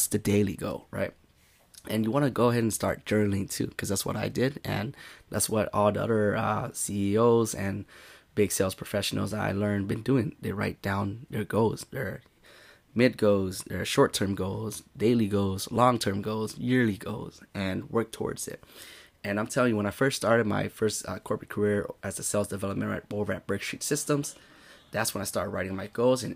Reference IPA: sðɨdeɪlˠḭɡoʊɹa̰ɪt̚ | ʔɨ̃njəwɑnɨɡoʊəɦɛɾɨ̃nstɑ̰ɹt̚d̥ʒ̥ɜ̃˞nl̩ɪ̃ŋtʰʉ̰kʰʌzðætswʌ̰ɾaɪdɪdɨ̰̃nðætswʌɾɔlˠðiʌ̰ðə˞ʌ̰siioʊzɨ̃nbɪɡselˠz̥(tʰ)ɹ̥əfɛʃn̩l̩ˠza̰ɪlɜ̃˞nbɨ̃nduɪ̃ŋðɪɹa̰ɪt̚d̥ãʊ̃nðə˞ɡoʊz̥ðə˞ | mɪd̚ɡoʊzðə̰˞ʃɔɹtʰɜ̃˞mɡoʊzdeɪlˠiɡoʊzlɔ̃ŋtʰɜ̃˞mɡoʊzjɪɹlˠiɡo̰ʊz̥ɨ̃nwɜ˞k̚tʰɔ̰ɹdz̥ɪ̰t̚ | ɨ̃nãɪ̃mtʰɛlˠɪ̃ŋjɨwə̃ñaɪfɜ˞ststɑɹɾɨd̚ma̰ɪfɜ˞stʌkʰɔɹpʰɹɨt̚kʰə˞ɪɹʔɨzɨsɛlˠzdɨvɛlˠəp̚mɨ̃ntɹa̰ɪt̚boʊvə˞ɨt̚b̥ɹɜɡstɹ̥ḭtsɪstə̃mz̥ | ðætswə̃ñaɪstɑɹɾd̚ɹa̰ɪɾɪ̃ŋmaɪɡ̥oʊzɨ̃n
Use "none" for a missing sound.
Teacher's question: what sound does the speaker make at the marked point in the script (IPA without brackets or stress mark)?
pʰ